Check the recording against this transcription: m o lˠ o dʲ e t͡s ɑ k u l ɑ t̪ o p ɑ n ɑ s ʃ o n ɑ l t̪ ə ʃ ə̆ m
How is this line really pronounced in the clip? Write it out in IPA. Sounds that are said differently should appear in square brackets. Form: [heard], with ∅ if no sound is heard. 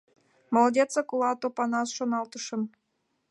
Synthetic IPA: m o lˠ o dʲ e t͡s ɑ k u l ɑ t̪ o p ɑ n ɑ s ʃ o n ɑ l t̪ ə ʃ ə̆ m

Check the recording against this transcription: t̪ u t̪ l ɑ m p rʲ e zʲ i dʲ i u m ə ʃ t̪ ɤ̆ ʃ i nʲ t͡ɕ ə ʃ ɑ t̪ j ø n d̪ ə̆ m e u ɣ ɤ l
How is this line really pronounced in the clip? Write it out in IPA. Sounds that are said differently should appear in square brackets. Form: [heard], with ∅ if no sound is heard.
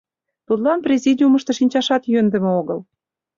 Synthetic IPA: t̪ u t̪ l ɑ [n] p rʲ e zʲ i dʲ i u m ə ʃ t̪ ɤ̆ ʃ i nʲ t͡ɕ [ɑ] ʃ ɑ t̪ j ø n d̪ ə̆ m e [o] ɣ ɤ l

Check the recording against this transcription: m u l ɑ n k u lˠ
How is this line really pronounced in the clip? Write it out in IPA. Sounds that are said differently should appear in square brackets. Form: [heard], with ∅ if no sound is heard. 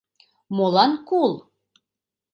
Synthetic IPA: m [o] l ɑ n k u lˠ

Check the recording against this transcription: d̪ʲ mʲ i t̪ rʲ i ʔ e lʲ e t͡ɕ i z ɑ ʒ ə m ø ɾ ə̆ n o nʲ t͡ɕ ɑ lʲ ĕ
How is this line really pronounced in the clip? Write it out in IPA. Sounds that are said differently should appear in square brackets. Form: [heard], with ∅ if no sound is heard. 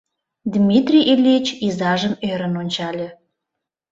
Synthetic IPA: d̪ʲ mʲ i t̪ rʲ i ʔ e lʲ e t͡ɕ i z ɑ ʒ ə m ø ɾ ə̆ n o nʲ t͡ɕ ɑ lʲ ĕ

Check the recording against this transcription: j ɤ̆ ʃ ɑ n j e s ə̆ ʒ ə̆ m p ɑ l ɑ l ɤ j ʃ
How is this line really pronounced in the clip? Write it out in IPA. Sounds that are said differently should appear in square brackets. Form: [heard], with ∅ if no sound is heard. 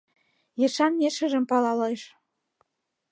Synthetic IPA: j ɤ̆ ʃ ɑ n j e [ʃ] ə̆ ʒ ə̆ m p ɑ l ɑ l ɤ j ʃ

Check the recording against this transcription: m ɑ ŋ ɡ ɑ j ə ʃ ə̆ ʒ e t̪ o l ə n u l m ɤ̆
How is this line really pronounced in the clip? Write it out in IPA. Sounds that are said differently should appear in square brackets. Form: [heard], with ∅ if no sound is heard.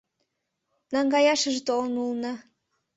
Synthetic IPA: [n] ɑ ŋ ɡ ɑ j [ɑ] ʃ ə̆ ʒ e t̪ o l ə n u l [n] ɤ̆

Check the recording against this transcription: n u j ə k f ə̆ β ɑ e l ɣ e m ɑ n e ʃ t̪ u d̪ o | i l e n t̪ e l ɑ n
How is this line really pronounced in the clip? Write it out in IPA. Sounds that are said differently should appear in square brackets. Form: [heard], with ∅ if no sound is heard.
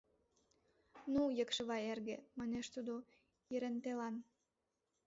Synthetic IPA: n u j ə k [ʃ] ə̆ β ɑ e [r] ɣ e m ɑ n e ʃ t̪ u d̪ o | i [ɾ] e n t̪ e l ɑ n

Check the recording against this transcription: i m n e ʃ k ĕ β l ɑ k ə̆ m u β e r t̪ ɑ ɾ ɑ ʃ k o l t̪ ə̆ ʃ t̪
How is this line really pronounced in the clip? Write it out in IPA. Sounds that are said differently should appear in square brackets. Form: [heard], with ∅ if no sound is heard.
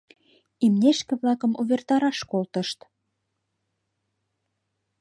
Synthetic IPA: i m n e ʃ k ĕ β l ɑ k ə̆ m u β e r t̪ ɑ ɾ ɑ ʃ k o l t̪ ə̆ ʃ t̪

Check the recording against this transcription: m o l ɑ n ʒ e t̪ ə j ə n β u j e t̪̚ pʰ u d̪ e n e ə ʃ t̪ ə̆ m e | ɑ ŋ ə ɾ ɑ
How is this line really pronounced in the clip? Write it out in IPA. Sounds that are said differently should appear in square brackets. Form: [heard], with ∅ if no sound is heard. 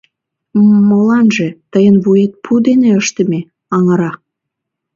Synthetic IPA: m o l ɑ n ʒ e t̪ ə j ə n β u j e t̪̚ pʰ u d̪ e n e ə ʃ t̪ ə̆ m e | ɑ ŋ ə ɾ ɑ

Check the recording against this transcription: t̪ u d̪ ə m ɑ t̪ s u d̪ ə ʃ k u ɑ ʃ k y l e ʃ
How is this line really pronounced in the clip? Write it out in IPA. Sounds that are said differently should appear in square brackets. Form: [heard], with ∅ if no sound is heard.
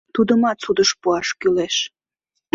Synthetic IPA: t̪ u d̪ ə m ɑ t̪ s u d̪ ə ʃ [p] u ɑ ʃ k y l e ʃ

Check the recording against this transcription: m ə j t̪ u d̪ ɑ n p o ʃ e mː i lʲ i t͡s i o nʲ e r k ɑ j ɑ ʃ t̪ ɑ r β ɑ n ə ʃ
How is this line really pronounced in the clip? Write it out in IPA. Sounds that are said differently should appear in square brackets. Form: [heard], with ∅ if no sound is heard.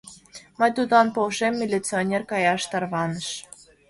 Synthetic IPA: m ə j t̪ u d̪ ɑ n p o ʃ e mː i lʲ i t͡s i o nʲ e r k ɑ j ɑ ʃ t̪ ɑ r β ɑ n ə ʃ

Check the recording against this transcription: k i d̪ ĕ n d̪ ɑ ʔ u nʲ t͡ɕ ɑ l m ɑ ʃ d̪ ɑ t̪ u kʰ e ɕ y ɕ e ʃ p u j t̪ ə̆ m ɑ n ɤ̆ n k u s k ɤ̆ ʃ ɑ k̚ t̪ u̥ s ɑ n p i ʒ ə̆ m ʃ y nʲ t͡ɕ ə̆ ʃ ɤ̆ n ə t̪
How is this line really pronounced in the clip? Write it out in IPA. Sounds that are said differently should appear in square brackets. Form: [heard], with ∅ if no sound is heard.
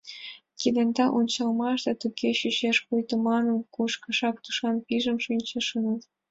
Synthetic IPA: k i d̪ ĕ n d̪ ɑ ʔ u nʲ t͡ɕ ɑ l m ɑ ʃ d̪ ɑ t̪ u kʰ e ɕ y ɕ e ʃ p u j t̪ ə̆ m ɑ n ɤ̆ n k u [ʃ] k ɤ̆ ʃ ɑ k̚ t̪ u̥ [ʃ] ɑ n p i ʒ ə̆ m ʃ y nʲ t͡ɕ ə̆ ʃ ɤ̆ n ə t̪

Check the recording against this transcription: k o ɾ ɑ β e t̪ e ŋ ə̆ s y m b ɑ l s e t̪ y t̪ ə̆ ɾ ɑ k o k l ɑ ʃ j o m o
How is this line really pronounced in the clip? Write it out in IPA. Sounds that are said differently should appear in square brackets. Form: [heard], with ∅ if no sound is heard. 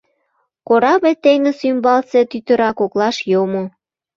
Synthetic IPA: k o ɾ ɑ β e t̪ e ŋ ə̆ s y m b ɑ l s e t̪ y t̪ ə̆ ɾ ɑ k o k l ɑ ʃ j o m o

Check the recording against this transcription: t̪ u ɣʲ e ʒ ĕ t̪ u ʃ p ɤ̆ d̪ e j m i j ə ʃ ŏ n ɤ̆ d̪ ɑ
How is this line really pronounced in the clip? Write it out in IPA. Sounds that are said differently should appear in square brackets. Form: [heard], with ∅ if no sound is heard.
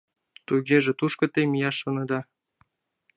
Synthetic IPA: t̪ u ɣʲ e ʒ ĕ t̪ u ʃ [k] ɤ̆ [t̪] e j m i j [ɑ] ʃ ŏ n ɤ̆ d̪ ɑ

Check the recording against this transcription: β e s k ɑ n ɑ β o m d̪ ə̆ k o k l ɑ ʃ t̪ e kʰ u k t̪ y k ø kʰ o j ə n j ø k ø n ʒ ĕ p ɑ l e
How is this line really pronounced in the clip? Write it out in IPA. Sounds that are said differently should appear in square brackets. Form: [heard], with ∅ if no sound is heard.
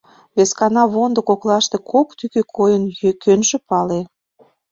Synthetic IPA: β e s k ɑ n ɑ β o [n] d̪ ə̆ k o k l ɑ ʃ t̪ e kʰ [o] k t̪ y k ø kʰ o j ə n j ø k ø n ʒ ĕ p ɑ l e

